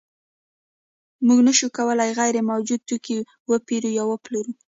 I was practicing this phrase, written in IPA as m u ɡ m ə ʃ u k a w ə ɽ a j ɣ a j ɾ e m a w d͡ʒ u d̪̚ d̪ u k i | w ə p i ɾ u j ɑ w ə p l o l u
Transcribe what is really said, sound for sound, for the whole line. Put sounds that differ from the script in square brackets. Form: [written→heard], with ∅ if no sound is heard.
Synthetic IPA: m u ɡ [m→n] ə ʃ u k a w ə [ɽ→l] a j ɣ a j ɾ e m a w d͡ʒ u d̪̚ [d̪→t̪] u k i | w ə p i ɾ u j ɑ w ə p l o [l→ɾ] u